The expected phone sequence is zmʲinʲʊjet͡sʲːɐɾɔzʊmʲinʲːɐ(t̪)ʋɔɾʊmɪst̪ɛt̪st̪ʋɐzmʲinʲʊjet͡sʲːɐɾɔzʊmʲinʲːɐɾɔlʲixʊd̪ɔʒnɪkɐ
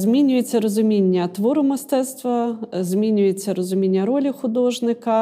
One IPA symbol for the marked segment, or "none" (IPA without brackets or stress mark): t̪